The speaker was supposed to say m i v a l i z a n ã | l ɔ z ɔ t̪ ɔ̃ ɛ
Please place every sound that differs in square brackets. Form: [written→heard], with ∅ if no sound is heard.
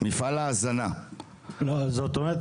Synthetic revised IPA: m i [v→f] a l [i→a] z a n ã | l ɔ z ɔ t̪ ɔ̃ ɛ